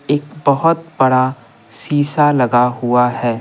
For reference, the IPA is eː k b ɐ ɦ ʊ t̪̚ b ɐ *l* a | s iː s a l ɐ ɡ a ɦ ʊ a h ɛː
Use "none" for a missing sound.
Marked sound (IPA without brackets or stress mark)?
ɽ